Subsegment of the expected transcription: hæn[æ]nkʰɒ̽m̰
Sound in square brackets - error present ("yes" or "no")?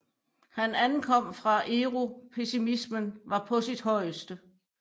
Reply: no